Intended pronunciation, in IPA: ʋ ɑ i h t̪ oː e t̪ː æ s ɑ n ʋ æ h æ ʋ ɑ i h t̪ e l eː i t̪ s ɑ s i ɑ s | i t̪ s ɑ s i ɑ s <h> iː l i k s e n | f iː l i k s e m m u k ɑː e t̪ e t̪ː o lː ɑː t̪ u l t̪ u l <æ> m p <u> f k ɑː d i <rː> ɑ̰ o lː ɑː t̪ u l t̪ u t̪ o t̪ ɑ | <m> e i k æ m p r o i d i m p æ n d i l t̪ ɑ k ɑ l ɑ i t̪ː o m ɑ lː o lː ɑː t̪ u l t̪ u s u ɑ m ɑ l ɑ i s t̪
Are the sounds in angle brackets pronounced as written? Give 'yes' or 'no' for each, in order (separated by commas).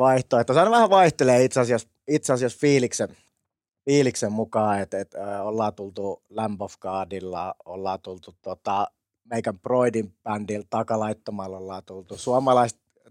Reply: no, yes, no, no, yes